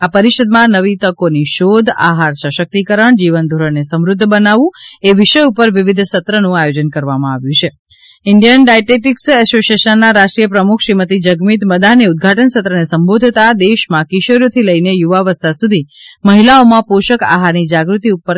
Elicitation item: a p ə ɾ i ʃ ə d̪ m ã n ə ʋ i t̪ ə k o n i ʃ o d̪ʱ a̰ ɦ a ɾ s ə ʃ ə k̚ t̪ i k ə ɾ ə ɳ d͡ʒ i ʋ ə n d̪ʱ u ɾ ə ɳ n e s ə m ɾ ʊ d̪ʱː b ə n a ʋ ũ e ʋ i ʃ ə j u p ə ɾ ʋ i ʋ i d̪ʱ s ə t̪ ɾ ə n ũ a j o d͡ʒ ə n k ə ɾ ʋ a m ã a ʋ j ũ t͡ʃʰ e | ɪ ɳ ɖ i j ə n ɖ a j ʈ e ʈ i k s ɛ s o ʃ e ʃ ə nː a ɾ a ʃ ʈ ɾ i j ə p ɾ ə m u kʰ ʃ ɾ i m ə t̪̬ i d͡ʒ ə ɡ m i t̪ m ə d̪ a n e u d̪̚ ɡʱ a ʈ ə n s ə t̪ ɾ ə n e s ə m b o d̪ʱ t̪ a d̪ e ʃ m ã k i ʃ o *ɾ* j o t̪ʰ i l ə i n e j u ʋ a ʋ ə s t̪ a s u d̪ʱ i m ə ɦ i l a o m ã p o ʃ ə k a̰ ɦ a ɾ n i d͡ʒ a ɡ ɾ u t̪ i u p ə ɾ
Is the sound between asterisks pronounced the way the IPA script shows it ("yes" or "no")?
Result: yes